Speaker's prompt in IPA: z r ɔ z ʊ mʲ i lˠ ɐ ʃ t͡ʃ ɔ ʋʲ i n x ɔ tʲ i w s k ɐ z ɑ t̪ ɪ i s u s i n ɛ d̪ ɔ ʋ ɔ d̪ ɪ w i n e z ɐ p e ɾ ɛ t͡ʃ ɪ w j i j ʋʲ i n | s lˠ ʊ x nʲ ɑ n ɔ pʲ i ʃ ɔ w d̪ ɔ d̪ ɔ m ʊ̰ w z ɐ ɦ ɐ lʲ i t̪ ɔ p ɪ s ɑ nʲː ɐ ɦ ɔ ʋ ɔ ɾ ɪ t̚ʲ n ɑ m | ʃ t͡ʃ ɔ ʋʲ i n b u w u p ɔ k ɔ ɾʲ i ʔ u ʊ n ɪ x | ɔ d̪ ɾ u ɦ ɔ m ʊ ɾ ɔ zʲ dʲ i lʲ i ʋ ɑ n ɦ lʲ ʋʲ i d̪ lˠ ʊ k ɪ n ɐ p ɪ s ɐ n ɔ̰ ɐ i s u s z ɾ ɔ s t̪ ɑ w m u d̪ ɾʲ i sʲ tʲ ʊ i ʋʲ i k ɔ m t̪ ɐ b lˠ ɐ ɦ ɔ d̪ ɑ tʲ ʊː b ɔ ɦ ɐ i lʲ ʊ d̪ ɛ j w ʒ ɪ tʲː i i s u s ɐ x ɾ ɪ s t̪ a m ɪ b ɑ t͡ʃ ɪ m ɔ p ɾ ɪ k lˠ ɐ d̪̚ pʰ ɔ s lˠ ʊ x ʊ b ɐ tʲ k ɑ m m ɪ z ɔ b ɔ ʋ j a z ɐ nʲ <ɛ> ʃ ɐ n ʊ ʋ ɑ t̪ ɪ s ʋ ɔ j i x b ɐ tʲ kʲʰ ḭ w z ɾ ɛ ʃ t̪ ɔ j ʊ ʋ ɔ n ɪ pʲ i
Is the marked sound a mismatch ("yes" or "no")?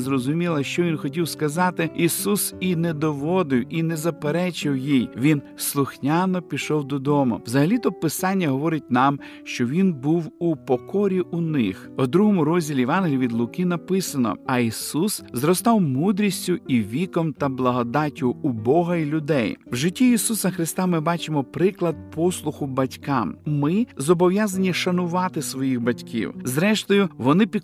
yes